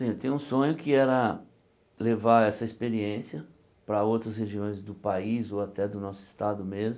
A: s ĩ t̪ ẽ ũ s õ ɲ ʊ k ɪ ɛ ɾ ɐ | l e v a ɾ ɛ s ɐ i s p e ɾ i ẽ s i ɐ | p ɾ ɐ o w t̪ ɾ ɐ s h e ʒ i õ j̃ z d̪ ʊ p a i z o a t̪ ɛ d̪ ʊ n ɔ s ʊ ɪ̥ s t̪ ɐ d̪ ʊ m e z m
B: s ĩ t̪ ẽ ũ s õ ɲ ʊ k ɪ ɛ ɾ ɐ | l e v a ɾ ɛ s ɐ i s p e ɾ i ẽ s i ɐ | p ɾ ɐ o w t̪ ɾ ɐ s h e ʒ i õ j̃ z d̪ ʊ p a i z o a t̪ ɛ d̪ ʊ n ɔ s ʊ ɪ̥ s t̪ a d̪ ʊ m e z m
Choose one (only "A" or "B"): B